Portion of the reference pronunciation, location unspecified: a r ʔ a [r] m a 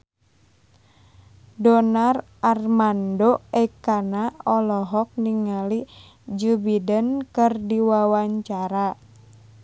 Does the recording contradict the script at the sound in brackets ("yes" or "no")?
no